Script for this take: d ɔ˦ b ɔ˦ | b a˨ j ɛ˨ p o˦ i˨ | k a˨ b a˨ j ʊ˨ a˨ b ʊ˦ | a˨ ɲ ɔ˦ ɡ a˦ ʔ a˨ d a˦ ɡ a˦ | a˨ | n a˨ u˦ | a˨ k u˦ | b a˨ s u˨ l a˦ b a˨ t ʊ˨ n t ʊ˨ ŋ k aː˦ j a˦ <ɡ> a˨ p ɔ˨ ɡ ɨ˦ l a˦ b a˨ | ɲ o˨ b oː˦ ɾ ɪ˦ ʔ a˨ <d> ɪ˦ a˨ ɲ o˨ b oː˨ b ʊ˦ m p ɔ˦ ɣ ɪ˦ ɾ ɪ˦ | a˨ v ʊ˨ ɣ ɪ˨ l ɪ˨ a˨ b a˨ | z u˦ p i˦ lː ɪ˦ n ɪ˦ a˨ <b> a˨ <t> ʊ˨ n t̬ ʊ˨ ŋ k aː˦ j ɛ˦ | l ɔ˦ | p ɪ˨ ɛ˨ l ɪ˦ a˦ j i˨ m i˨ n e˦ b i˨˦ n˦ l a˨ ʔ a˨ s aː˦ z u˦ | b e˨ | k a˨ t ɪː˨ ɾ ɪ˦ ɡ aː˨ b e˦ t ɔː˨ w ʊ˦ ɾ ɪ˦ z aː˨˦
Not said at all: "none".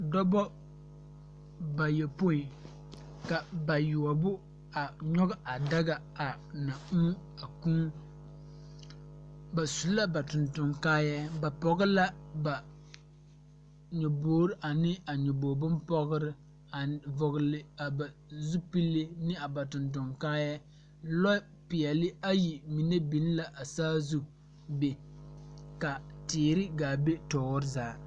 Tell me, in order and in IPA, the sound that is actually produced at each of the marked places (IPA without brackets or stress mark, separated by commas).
b, n, b, t